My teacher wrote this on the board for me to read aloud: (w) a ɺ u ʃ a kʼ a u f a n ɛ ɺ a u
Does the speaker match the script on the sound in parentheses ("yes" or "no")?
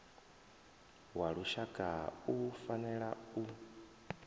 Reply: yes